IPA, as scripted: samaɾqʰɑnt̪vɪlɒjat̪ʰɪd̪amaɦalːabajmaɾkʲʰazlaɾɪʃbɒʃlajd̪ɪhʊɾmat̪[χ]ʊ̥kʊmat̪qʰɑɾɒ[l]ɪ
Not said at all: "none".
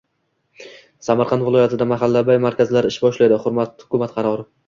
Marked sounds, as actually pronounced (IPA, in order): h, ɾ

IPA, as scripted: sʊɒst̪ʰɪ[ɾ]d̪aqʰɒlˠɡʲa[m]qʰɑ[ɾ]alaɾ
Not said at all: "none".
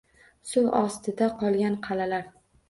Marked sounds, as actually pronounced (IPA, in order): none, n, l

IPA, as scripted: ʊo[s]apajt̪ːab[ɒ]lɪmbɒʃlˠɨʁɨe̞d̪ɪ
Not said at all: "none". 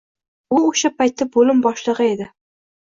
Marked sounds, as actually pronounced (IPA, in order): ʃ, o

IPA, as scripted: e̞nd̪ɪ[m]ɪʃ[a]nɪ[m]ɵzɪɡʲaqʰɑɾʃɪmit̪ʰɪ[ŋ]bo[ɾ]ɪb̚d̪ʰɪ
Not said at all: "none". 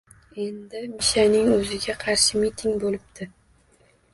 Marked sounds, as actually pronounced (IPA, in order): m, a, ŋ, ŋ, l

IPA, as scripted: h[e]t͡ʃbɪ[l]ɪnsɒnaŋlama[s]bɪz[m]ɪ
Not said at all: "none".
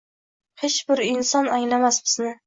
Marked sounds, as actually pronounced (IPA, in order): e, ɾ, s, n

